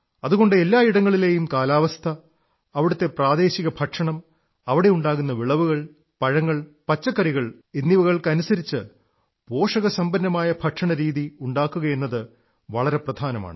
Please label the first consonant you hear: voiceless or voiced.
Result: voiced